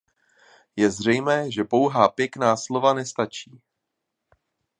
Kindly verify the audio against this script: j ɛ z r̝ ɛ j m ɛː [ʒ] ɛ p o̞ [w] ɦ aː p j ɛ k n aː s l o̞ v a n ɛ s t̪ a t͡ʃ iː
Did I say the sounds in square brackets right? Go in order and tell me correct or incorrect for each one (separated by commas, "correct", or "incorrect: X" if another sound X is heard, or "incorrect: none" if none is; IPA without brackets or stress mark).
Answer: correct, correct